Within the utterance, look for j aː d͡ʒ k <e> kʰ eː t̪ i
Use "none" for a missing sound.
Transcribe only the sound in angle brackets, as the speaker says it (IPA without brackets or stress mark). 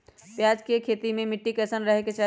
e